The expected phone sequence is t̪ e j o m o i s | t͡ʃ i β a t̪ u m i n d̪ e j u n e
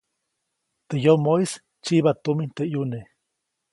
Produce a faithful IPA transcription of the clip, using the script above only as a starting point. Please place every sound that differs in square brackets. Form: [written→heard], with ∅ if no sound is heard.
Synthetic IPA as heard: t̪ e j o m o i s | t͡ʃ i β a t̪ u m i n [d̪→t̪] e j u n e